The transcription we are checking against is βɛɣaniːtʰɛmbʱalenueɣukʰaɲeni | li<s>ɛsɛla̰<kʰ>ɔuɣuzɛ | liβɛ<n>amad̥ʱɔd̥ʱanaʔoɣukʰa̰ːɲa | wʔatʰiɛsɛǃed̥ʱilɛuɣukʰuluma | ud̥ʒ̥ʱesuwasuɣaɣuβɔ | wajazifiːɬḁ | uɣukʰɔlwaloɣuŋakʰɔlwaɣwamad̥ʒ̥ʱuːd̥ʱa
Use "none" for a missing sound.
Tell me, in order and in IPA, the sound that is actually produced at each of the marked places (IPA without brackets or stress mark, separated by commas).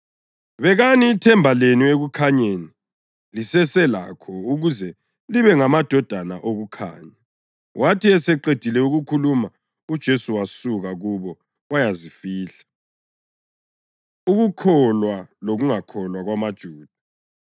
s, kʰ, ŋ